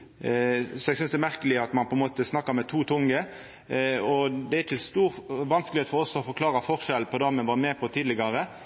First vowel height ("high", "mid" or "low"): mid